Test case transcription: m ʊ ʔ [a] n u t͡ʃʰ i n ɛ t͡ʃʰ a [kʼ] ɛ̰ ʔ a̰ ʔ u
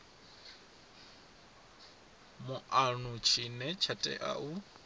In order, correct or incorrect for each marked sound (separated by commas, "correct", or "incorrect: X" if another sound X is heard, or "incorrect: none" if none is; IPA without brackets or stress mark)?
correct, incorrect: tʼ